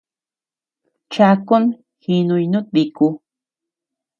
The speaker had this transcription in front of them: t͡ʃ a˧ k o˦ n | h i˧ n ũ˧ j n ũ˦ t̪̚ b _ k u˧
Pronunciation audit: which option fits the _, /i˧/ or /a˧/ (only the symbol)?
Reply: i˧